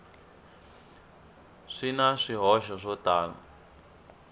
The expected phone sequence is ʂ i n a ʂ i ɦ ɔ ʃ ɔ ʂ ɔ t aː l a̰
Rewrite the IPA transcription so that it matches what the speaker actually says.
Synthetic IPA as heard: ʂ i n a ʂ i ɦ ɔ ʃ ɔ ʂ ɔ t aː l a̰